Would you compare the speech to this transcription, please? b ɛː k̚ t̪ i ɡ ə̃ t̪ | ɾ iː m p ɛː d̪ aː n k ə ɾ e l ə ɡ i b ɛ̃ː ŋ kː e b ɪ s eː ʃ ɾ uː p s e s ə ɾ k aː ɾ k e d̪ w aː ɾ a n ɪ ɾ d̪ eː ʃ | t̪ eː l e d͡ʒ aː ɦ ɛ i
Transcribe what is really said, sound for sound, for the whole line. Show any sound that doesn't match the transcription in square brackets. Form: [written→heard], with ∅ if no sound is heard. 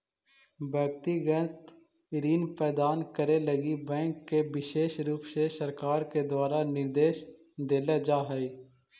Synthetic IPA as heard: b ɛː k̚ t̪ i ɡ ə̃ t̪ | ɾ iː [m→n] p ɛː d̪ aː n k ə ɾ e l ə ɡ i b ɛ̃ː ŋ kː e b ɪ [s→ʃ] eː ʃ ɾ uː p s e s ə ɾ k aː ɾ k e d̪ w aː ɾ a n ɪ ɾ d̪ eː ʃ | [t̪→d̪] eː l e d͡ʒ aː ɦ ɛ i

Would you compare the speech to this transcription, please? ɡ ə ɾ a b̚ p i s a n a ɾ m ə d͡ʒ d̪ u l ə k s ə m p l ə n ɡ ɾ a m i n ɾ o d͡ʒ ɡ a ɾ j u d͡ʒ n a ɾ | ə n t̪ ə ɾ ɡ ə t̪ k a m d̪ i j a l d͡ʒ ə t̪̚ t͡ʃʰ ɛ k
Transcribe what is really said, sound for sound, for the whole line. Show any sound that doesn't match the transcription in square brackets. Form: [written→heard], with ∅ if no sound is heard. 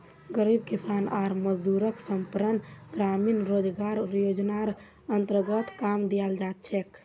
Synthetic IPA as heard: ɡ ə ɾ [a→i] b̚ [p→k] i s a n a ɾ m ə d͡ʒ d̪ u [l→ɾ] ə k s ə m p [l→ɾ] ə n ɡ ɾ a m i n ɾ o d͡ʒ ɡ a ɾ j [u→o] d͡ʒ n a ɾ | ə n t̪ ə ɾ ɡ ə t̪ k a m d̪ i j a l d͡ʒ [ə→a] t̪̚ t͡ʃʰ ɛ k

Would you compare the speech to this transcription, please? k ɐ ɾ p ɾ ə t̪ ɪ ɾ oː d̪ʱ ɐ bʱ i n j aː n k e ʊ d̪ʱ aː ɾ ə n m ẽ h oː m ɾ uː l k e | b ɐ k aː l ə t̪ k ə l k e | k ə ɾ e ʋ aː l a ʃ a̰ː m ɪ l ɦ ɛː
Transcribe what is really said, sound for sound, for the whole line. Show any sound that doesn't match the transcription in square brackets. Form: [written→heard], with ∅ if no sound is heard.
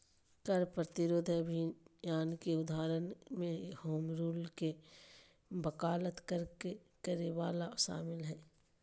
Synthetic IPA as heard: k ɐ ɾ p ɾ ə t̪ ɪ ɾ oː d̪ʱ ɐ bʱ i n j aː n k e ʊ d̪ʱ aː ɾ ə n m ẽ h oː m ɾ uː l k e | b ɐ k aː l ə t̪ k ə [l→ɾ] k e | k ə ɾ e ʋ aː l a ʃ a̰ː m ɪ l ɦ ɛː

